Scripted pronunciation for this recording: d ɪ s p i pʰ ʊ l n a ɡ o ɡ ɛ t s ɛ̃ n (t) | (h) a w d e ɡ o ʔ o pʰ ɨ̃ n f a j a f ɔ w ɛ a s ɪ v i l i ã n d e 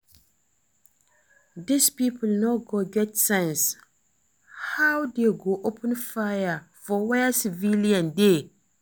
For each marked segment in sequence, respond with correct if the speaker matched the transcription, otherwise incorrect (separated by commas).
incorrect, correct